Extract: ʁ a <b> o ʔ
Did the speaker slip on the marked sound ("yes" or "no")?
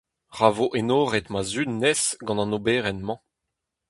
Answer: yes